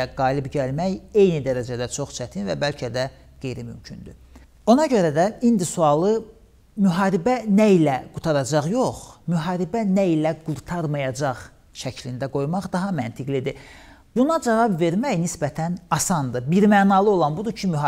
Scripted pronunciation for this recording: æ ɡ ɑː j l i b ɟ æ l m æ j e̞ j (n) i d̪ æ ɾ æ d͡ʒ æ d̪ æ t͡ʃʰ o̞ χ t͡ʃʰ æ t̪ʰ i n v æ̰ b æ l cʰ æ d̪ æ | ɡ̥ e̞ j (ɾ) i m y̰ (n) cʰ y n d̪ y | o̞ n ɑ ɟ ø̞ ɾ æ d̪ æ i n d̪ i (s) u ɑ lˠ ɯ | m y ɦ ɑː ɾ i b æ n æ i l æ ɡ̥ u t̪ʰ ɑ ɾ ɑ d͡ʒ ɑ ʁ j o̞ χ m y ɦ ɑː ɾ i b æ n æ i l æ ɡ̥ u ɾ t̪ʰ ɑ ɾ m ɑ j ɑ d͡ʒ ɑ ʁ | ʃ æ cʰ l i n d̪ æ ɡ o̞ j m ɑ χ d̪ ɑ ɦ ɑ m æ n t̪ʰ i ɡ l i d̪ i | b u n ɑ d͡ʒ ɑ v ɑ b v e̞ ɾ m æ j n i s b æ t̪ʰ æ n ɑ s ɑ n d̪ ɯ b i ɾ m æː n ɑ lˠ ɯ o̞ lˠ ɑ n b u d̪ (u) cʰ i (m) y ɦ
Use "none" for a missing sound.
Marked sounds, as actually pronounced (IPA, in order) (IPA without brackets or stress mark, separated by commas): n, ɾ, m, s, u, m